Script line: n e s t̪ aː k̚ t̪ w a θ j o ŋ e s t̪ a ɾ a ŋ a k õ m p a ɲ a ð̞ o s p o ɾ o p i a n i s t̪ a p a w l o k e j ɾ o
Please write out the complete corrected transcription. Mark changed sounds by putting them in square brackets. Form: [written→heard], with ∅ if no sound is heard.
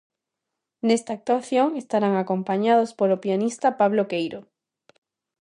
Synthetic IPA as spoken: n e s t̪ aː k̚ t̪ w a θ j o ŋ e s t̪ a ɾ a ŋ a k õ m p a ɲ a ð̞ o s p o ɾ o p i a n i s t̪ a p a [w→β] l o k e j ɾ o